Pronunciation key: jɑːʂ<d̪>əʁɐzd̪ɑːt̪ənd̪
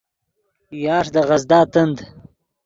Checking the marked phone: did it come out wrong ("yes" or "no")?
no